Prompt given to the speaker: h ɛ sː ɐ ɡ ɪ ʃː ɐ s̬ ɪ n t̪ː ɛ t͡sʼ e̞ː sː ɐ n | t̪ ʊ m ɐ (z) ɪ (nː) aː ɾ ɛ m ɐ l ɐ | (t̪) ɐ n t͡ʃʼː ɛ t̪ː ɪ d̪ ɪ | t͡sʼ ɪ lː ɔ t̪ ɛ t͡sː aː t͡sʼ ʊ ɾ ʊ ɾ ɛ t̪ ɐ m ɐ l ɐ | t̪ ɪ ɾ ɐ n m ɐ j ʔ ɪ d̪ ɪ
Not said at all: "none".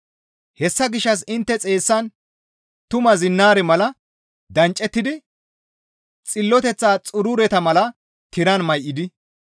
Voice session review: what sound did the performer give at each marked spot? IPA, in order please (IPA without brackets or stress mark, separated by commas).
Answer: z, nː, d̪